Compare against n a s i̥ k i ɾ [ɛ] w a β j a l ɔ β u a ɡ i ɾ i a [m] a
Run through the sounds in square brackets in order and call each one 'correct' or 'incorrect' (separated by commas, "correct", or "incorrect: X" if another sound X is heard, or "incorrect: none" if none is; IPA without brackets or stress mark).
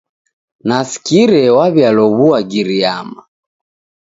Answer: correct, correct